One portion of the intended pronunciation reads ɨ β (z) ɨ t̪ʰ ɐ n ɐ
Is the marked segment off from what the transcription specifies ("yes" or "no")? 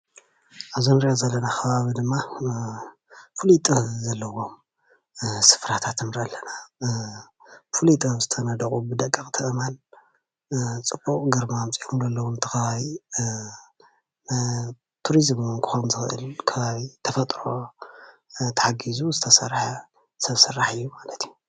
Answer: no